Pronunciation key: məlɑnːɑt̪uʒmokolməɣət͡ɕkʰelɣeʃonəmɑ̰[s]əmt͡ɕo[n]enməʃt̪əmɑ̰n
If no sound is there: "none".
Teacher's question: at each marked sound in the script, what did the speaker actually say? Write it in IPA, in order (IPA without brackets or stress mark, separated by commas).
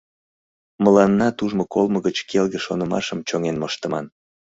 ʃ, ŋ